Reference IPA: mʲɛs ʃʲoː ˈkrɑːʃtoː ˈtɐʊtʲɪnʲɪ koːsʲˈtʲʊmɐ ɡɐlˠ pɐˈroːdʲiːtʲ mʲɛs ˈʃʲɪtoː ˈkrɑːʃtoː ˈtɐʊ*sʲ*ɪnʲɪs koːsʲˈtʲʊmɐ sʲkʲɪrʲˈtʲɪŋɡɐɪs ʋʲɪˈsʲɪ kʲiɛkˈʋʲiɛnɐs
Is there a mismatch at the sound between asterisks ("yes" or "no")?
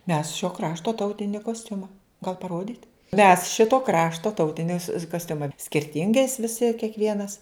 yes